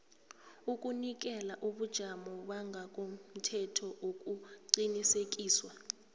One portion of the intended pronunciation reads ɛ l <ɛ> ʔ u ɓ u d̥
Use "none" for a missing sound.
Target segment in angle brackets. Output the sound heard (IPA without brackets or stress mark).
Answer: a